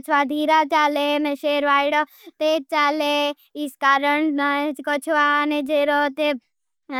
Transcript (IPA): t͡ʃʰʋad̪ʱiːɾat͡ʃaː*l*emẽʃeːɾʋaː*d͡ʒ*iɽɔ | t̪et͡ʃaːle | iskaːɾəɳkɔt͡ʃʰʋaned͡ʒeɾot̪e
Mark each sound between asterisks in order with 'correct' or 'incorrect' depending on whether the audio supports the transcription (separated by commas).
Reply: correct, incorrect